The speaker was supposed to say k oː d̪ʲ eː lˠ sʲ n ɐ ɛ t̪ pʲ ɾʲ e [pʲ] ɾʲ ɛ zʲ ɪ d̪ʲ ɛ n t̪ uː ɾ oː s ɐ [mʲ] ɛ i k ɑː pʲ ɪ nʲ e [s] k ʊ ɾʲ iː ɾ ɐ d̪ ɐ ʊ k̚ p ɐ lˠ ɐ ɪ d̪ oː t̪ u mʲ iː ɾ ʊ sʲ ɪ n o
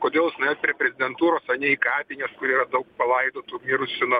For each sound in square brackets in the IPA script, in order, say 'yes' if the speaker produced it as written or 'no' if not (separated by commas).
yes, no, yes